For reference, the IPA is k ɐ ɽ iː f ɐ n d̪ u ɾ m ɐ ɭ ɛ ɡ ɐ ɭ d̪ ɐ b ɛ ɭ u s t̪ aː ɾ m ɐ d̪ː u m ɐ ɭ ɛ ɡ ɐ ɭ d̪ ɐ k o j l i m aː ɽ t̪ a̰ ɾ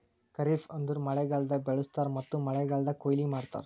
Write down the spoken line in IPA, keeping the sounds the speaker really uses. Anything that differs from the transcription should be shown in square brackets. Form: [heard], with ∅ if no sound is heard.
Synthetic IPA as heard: k ɐ [ɾ] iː f ɐ n d̪ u ɾ m ɐ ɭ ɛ ɡ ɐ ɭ d̪ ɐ b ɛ ɭ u s t̪ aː ɾ m ɐ [t̪ː] u m ɐ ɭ ɛ ɡ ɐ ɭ d̪ ɐ k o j l i m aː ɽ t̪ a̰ ɾ